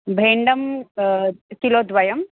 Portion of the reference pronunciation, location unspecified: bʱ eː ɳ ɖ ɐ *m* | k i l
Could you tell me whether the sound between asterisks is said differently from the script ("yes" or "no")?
no